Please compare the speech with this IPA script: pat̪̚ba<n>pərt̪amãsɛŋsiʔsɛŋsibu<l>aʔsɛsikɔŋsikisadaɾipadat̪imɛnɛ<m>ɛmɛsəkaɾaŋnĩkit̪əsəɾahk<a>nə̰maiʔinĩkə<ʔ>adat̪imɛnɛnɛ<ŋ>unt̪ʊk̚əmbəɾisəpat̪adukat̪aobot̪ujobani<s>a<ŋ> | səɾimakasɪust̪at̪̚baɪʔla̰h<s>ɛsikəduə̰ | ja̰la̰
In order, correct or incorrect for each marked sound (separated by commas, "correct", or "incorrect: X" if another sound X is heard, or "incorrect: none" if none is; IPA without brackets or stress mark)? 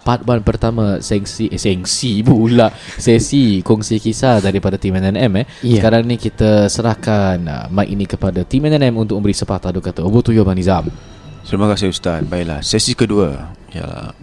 correct, correct, incorrect: n, correct, incorrect: p, incorrect: m, incorrect: z, incorrect: m, correct